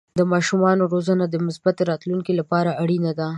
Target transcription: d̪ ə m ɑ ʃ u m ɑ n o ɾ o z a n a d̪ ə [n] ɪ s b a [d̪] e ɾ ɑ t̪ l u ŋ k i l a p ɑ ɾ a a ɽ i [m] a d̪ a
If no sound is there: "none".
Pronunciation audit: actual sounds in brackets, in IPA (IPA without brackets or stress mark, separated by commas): m, t̪, n